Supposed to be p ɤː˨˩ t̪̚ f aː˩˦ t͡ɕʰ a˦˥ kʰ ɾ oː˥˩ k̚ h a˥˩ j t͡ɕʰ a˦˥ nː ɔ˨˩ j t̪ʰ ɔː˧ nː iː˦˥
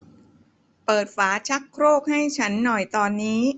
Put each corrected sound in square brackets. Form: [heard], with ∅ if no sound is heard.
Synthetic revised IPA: p ɤː˨˩ t̪̚ f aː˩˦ t͡ɕʰ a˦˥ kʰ ɾ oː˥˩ k̚ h a˥˩ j t͡ɕʰ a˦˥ nː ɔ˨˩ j [t̪] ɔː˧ nː iː˦˥